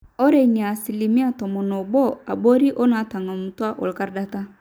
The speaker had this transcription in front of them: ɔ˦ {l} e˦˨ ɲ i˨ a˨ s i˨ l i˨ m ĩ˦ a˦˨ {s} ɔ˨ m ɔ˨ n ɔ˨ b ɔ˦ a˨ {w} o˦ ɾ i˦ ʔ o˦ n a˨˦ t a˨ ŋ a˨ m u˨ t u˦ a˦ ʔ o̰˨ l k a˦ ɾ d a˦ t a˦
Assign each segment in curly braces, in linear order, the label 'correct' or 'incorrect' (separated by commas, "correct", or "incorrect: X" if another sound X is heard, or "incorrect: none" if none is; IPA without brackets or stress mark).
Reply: incorrect: ɾ, incorrect: t, incorrect: b